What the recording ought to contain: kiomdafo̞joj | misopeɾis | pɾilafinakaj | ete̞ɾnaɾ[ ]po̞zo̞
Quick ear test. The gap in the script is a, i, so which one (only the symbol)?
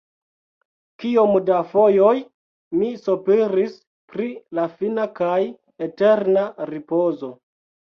i